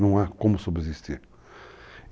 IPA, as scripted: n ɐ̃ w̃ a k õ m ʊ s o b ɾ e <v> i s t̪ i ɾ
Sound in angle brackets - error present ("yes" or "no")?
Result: yes